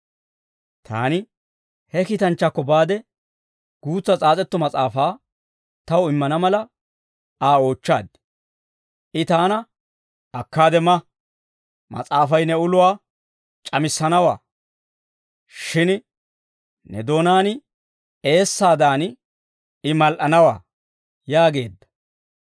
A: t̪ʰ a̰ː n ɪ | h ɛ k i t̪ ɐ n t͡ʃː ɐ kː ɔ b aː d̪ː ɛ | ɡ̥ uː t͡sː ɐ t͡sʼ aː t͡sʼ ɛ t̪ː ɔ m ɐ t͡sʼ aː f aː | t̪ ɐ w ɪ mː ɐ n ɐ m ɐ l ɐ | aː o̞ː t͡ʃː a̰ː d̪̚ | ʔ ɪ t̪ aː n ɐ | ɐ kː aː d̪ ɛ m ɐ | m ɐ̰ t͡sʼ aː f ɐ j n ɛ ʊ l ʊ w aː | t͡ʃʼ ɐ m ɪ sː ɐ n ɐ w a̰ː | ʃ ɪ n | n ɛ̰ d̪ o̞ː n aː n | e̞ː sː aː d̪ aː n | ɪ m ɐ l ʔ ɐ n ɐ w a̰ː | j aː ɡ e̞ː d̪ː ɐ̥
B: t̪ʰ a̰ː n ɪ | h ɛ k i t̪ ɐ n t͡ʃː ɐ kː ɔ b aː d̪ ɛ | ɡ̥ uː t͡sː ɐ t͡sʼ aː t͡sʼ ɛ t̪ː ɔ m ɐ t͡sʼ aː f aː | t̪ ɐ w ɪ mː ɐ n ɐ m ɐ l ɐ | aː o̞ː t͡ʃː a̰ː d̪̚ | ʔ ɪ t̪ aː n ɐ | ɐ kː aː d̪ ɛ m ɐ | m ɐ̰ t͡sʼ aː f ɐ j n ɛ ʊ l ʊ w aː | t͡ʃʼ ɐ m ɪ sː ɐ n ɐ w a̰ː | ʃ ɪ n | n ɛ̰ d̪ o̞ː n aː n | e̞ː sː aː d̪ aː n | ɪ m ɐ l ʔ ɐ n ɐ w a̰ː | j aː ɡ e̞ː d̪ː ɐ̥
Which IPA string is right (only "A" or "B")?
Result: B